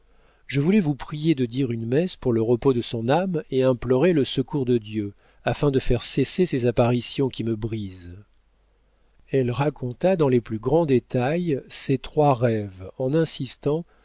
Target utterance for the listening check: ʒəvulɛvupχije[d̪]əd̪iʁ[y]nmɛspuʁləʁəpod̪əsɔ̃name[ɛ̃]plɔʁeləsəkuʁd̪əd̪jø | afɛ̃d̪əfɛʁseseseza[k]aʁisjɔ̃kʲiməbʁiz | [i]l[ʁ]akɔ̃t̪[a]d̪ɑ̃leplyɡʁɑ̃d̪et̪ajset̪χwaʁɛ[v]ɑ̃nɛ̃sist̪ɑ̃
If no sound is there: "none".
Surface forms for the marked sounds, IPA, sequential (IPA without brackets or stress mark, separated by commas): d̪, y, ɛ̃, p, ɛ, ʁ, a, v